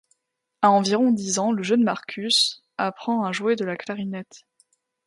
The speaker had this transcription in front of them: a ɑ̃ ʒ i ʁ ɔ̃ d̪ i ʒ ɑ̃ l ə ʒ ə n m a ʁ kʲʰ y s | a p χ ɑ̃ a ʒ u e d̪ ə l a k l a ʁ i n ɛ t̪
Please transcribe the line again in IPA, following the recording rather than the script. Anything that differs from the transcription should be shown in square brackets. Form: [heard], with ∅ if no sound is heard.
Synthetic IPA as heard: a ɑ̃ [v] i ʁ ɔ̃ d̪ i [z] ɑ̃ l ə ʒ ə n m a ʁ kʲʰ y s | a p χ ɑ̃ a ʒ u e d̪ ə l a k l a ʁ i n ɛ t̪